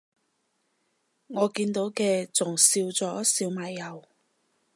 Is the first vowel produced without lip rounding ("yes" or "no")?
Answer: no